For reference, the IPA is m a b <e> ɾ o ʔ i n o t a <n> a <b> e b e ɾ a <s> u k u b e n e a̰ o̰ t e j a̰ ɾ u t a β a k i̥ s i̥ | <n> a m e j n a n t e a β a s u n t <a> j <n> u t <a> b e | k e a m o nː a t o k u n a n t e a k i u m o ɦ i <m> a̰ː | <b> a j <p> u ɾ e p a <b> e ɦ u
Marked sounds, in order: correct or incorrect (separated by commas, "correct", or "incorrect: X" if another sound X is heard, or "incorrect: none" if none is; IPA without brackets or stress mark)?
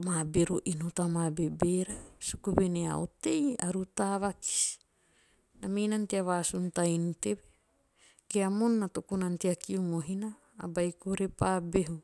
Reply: correct, incorrect: m, correct, correct, correct, correct, correct, incorrect: e, incorrect: n, correct, incorrect: k, correct